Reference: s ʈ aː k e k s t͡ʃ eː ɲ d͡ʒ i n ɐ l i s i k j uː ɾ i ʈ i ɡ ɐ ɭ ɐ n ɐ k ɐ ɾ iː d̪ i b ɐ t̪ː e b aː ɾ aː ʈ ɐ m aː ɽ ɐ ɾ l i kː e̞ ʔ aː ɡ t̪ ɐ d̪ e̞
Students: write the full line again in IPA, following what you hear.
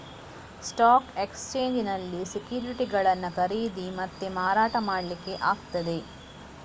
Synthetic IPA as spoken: s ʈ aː k e k s t͡ʃ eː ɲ d͡ʒ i n ɐ lː i s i k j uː ɾ i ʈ i ɡ ɐ ɭ ɐ nː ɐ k ɐ ɾ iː d̪ i m ɐ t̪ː e m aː ɾ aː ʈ ɐ m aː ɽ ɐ l i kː e̞ ʔ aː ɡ t̪ ɐ d̪ e̞